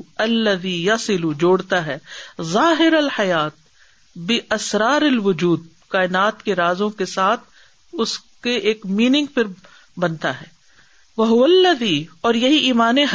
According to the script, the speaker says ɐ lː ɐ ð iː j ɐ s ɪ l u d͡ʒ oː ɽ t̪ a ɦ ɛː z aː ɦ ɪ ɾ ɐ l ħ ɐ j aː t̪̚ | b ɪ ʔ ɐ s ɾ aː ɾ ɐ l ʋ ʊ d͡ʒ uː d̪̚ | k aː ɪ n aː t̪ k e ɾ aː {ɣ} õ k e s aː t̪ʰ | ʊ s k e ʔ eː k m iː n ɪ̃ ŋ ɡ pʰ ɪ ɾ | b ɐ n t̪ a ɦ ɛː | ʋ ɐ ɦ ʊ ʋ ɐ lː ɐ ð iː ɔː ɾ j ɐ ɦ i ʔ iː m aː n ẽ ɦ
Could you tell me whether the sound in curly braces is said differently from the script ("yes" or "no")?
yes